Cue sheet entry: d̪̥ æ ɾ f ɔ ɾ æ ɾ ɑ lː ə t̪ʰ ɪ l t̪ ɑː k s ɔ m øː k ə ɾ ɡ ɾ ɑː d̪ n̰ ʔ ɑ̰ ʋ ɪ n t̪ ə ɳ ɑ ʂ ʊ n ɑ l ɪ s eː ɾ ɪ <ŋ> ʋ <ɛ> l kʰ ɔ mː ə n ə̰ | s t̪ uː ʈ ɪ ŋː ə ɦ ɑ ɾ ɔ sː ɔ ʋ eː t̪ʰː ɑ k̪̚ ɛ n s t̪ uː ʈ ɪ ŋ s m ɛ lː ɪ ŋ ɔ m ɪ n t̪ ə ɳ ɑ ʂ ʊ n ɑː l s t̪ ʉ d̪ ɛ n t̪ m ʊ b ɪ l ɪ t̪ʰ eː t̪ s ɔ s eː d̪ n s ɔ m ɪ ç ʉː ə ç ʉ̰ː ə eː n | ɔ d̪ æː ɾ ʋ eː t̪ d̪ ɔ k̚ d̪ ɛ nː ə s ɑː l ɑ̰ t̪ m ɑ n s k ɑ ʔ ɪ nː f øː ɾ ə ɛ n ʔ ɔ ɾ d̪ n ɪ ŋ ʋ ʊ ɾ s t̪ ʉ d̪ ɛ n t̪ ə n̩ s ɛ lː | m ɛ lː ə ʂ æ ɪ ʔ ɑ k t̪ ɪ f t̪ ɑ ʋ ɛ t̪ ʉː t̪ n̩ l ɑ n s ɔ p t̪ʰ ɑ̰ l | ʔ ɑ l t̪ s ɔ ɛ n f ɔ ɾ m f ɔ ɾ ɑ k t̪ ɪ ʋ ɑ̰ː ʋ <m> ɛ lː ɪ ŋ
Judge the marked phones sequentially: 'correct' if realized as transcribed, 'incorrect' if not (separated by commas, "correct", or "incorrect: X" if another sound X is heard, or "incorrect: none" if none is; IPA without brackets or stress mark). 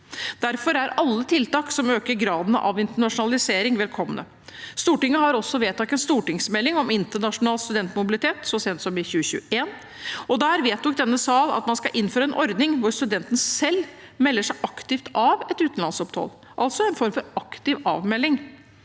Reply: correct, correct, correct